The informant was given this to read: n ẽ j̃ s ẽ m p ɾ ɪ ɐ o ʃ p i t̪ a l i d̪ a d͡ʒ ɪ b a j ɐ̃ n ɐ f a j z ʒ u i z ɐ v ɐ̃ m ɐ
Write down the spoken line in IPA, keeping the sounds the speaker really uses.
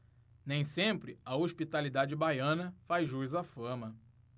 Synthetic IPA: n ẽ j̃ s ẽ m p ɾ ɪ ɐ o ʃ p i t̪ a l i d̪ a d͡ʒ ɪ b a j ɐ̃ n ɐ f a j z ʒ u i z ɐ f ɐ̃ m ɐ